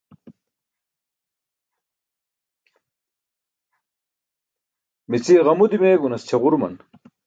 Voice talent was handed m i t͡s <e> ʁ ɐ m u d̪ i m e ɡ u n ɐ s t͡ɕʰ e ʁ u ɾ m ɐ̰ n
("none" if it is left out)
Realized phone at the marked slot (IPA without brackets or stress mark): i